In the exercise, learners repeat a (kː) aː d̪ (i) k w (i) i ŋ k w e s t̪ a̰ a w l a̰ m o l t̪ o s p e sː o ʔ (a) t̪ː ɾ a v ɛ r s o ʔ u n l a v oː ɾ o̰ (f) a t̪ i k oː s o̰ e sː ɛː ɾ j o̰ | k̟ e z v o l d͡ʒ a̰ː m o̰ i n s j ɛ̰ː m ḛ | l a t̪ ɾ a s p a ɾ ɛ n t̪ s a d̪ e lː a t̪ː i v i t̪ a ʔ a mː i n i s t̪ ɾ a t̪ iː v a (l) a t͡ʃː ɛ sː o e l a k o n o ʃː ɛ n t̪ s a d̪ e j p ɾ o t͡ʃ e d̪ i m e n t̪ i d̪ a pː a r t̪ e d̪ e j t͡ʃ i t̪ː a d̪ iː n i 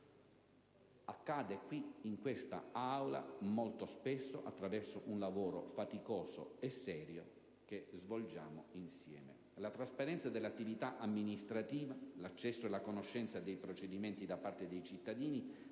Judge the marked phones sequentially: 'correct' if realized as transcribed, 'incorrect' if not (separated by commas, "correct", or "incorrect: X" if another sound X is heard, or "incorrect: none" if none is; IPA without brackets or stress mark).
correct, incorrect: e, correct, correct, correct, correct